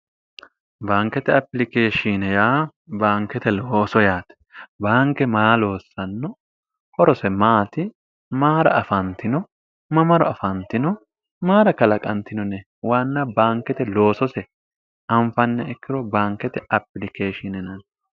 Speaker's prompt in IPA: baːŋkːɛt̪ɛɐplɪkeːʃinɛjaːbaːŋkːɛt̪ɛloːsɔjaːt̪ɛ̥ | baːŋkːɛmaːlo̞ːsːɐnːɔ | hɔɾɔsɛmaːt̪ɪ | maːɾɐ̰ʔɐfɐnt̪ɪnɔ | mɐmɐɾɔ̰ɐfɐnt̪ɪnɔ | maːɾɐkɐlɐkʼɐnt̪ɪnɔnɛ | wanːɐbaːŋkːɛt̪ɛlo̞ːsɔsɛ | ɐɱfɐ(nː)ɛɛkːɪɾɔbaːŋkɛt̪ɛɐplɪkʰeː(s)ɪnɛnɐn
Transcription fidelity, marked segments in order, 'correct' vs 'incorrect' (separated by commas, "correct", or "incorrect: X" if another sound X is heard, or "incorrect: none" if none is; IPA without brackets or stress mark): correct, incorrect: ʃ